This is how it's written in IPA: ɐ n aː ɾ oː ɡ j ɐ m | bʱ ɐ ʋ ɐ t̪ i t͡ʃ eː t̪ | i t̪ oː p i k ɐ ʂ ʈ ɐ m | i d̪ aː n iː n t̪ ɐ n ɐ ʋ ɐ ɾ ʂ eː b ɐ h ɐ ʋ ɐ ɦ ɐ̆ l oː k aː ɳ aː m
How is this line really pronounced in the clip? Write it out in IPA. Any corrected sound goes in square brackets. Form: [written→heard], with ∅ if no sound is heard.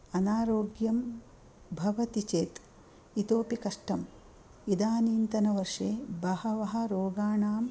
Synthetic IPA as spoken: ɐ n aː ɾ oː ɡ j ɐ m | bʱ ɐ ʋ ɐ t̪ i t͡ʃ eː t̪ | i t̪ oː p i k ɐ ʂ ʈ ɐ m | i d̪ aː n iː n t̪ ɐ n ɐ ʋ ɐ ɾ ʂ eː b ɐ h ɐ ʋ ɐ ɦ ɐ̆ [l→ɾ] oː [k→ɡ] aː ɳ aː m